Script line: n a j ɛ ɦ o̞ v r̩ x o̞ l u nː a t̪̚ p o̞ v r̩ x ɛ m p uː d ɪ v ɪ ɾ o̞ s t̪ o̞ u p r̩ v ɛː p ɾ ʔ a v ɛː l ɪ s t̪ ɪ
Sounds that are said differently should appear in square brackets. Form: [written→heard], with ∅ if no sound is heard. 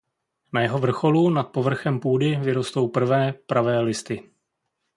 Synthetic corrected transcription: n a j ɛ ɦ o̞ v r̩ x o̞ l u [nː→n] a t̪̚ p o̞ v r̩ x ɛ m p uː d ɪ v ɪ ɾ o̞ s t̪ o̞ [u→w] p r̩ v ɛː p ɾ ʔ a v ɛː l ɪ s t̪ ɪ